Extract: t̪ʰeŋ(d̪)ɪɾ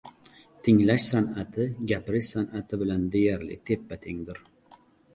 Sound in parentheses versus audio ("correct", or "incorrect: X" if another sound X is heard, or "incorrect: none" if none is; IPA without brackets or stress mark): correct